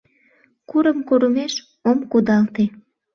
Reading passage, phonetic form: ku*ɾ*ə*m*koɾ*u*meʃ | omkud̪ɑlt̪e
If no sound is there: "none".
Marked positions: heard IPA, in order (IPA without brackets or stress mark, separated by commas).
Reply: ɾ, m, u